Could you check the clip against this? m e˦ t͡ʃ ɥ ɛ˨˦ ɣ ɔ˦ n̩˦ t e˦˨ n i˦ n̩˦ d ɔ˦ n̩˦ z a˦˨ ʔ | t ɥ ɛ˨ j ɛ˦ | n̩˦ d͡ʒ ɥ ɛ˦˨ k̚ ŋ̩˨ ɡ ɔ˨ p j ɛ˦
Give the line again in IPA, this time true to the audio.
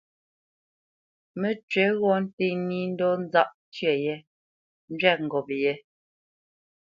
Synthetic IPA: m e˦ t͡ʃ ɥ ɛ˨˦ ɣ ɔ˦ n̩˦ t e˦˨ n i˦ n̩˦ d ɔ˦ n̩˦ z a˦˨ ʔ | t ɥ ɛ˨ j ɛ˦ | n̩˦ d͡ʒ ɥ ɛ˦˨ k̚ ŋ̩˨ ɡ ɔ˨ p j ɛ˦

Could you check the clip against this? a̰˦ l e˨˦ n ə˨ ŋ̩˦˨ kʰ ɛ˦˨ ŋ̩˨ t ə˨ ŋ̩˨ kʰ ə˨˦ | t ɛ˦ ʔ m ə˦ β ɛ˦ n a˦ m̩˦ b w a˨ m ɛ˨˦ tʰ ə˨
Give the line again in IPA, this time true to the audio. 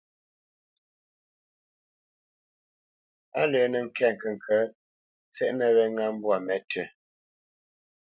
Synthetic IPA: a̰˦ l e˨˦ n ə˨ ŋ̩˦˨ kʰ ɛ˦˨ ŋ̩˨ k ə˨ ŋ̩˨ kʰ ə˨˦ | t͡s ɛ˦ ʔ n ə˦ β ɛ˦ ŋ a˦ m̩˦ b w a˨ m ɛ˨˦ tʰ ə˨

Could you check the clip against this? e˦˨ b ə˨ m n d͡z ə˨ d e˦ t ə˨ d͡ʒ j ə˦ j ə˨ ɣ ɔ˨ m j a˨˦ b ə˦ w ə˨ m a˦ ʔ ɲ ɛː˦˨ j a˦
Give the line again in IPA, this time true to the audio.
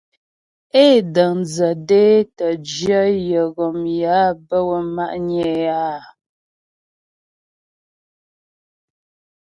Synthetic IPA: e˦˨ d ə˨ ŋ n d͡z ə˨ d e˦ t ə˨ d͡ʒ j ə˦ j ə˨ ɣ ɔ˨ m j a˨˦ b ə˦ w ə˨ m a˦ ʔ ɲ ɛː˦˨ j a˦

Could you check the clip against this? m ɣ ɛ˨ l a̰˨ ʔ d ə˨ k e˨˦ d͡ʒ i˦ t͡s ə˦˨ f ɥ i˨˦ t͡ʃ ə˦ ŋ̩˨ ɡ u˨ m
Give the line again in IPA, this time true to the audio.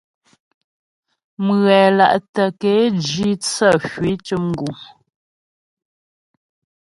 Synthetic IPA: m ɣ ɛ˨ l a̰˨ ʔ t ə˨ k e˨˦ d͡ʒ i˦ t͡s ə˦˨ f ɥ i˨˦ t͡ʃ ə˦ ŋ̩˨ ɡ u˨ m

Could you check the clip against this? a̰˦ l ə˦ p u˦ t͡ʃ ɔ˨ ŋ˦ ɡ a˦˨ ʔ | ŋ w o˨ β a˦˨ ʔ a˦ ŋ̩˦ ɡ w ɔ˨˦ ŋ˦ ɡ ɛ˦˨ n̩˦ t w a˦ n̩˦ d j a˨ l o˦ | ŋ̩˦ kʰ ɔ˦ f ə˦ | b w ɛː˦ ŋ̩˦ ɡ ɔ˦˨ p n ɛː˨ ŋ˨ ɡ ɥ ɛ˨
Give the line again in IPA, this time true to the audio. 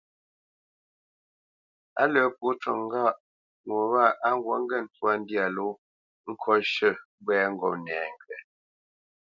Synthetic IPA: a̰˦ l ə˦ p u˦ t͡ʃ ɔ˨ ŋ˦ ɡ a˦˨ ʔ | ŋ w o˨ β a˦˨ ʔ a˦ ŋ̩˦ ɡ w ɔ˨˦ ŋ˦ ɡ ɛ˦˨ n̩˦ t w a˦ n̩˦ d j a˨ l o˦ | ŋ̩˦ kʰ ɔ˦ ʃ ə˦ | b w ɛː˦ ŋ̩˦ ɡ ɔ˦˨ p n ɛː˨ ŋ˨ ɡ ɥ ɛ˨

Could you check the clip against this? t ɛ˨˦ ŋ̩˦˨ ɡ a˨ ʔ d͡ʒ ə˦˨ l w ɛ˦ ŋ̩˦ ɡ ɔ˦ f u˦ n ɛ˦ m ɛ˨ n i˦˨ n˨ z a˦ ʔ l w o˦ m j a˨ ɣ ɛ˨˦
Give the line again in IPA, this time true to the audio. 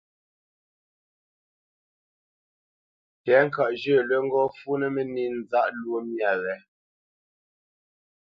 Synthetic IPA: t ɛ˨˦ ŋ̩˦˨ k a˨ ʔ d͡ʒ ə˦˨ l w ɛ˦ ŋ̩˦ ɡ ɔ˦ f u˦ n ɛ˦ m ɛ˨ n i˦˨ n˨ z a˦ ʔ l w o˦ m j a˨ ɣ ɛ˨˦

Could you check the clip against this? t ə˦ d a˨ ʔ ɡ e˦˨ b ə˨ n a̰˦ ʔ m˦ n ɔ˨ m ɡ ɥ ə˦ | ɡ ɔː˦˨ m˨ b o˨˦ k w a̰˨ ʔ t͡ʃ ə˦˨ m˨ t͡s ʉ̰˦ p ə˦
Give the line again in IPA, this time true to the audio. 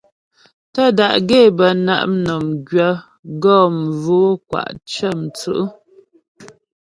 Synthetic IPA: t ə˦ d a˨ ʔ ɡ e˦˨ b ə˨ n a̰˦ ʔ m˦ n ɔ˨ m ɡ ɥ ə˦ | ɡ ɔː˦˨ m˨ v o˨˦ k w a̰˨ ʔ t͡ʃ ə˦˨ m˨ t͡s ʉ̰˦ ʔ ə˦

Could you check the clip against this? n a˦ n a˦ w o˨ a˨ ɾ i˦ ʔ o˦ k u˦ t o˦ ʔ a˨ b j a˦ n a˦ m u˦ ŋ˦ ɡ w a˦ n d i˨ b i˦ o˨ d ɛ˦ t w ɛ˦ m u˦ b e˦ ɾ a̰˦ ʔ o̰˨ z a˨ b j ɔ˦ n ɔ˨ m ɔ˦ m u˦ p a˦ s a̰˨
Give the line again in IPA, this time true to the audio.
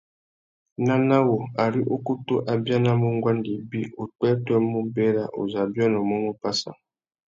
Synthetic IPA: n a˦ n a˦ w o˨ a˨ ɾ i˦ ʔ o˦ k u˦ t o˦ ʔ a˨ b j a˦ n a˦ m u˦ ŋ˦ ɡ w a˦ n d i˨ b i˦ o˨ t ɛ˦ t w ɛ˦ m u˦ b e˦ ɾ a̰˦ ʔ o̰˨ z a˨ b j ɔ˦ n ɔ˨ m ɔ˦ m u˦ p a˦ s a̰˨

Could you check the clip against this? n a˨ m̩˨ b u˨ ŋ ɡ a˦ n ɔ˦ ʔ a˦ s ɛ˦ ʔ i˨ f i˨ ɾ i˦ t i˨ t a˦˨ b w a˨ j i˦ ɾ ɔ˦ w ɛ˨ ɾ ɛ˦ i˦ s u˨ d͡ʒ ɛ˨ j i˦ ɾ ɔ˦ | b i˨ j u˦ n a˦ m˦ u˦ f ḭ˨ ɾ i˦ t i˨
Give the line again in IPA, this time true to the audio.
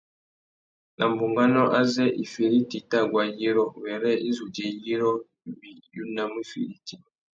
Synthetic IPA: n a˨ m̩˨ b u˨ ŋ ɡ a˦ n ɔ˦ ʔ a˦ z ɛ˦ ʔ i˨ f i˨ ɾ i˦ t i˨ t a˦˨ ɡ w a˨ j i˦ ɾ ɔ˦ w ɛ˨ ɾ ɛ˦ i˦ z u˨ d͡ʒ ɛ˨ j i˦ ɾ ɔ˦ | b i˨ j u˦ n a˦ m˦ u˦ f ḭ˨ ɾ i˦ t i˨

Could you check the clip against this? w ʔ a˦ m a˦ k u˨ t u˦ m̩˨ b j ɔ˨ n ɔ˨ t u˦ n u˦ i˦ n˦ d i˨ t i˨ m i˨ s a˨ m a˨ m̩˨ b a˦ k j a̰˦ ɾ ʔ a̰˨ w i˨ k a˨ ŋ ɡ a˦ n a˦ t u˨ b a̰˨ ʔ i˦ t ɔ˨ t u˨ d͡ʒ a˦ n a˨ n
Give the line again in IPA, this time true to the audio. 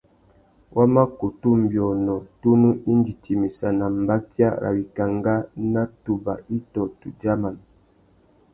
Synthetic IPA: w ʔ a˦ m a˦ k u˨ t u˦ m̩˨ b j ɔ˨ n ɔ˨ t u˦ n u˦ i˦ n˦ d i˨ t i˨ m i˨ s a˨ n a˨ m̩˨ b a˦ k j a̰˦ ɾ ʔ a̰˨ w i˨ k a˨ ŋ ɡ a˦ n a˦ t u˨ b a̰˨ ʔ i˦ t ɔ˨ t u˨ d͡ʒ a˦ m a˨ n

